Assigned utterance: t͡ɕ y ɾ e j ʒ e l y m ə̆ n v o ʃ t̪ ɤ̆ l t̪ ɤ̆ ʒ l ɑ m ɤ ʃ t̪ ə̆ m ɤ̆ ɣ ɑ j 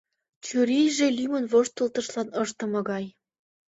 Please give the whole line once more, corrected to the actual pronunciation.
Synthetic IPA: t͡ɕ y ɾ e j ʒ e l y m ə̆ n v o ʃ t̪ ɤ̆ l t̪ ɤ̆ ʃ l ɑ n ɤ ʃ t̪ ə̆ m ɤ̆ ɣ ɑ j